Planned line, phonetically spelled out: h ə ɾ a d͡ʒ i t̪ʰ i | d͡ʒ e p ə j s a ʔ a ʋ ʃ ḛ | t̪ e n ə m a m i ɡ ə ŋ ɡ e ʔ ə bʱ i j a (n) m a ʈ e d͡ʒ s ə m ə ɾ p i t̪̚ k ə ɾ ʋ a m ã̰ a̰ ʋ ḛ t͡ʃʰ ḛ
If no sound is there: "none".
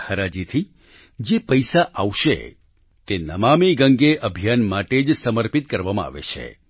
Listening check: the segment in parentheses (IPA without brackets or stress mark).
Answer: n